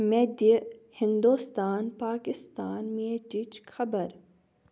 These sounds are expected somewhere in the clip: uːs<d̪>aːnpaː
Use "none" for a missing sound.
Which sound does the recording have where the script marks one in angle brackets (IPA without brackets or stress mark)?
t̪